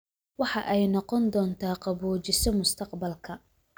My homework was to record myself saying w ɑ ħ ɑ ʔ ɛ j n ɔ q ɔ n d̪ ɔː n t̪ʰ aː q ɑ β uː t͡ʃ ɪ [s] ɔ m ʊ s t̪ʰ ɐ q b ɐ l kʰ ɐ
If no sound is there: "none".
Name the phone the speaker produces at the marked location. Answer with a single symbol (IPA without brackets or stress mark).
s